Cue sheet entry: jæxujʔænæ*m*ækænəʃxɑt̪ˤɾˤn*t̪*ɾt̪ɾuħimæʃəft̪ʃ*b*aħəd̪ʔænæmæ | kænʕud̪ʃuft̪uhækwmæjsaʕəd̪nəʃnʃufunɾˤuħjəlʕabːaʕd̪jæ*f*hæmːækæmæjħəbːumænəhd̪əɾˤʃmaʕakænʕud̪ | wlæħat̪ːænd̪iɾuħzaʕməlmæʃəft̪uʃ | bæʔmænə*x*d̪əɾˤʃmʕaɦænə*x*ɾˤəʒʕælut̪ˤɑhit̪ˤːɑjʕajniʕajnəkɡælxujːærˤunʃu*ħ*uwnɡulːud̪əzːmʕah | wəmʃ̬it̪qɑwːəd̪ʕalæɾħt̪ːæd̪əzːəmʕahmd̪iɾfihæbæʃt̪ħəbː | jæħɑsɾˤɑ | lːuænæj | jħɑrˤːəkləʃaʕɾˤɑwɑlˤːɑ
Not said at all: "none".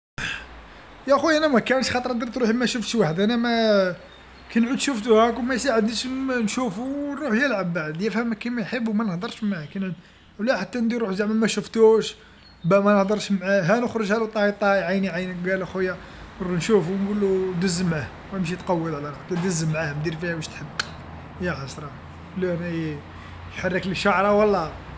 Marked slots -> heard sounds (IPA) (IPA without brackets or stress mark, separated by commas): m, d̪, w, f, h, x, f